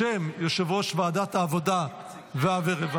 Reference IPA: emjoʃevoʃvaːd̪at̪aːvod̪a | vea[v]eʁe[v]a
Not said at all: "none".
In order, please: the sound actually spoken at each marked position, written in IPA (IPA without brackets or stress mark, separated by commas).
v, v